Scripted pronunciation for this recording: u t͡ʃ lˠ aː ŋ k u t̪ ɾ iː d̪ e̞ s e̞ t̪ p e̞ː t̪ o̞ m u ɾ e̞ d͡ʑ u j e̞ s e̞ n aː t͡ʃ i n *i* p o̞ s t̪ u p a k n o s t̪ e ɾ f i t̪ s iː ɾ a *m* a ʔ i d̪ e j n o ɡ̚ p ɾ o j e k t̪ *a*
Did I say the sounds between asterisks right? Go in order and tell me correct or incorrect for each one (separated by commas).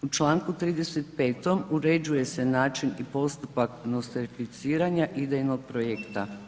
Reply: correct, incorrect, correct